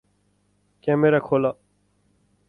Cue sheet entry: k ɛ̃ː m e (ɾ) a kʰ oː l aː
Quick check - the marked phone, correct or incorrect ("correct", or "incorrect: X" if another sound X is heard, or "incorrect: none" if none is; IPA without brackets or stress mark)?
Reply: correct